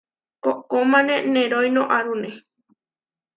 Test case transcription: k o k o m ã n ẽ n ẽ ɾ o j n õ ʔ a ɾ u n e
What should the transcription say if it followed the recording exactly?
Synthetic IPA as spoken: k o k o m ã n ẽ n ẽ ɾ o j n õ ʔ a ɾ u n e

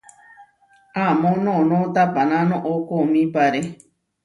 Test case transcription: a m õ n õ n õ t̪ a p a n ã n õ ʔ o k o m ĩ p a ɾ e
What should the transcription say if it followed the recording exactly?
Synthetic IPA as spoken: a m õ n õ n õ t̪ a p a n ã n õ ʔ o k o m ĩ p a ɾ e

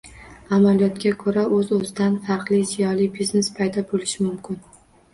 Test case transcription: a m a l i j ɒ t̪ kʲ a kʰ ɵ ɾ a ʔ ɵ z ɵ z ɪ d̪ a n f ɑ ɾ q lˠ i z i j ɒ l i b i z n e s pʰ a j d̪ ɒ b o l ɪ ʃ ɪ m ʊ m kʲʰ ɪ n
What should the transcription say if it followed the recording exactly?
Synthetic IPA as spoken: a m a l i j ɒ t̪ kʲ a kʰ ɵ ɾ a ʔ ɵ z ɵ z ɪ d̪ a n f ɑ ɾ q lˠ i z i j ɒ l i b i z n e s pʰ a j d̪ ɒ b o l ɪ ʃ ɪ m ʊ m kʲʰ ɪ n

